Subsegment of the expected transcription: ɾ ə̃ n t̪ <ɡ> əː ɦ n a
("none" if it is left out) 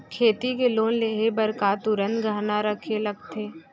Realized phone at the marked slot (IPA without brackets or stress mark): ɡ